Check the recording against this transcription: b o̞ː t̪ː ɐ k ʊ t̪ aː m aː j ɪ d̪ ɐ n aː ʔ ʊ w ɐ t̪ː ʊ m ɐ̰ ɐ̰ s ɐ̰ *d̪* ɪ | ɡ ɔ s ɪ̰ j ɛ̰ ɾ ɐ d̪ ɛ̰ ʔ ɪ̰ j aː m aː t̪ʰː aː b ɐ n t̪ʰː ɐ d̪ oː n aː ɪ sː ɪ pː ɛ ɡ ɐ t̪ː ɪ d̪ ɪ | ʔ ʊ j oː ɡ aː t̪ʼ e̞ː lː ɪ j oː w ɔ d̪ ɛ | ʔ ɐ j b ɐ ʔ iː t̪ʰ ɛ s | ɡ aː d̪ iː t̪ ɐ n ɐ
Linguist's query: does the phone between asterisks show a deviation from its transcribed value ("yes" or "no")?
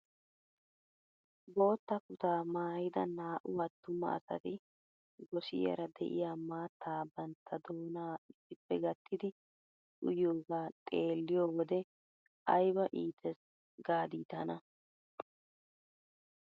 yes